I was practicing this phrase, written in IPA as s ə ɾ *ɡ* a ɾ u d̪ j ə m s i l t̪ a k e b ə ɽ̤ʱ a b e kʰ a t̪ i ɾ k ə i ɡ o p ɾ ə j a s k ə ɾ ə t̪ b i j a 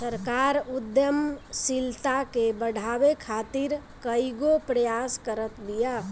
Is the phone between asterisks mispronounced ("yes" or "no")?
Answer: yes